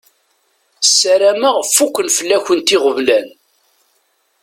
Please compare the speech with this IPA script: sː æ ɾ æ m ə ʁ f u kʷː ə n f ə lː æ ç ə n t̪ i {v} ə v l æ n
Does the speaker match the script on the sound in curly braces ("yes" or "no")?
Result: no